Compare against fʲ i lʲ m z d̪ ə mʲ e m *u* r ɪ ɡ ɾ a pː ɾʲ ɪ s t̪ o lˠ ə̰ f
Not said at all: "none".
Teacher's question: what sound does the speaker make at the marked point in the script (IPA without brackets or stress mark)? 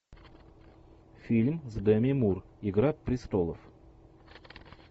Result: u